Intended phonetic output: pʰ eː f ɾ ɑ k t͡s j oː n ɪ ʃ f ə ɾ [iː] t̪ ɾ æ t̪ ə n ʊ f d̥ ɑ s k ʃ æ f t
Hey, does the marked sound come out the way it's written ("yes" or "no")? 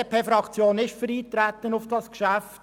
yes